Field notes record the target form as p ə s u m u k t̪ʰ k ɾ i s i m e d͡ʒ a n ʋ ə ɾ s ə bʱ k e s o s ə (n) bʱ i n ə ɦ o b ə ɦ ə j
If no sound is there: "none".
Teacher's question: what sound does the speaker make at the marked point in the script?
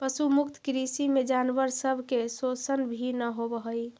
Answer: n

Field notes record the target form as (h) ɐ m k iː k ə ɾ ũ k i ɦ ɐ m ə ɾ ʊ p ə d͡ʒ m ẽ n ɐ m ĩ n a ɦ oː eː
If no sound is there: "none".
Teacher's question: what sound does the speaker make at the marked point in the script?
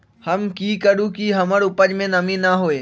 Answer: h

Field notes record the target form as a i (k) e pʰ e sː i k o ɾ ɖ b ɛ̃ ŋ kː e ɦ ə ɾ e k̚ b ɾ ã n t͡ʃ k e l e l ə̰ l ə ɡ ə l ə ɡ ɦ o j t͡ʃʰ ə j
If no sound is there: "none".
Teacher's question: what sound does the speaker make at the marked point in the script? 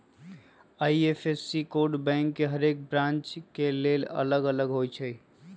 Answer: none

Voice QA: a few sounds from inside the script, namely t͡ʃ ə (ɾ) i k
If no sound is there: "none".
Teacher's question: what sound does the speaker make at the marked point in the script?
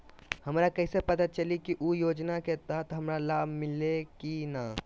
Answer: l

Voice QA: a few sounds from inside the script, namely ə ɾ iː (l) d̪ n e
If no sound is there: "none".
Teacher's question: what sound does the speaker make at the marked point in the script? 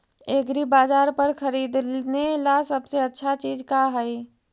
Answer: none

